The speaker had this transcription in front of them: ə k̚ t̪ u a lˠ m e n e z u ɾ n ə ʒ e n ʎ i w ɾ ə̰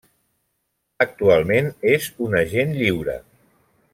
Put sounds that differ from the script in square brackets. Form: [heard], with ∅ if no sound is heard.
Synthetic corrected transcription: ə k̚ t̪ u a lˠ m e n e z u [∅] n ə ʒ e n ʎ i w ɾ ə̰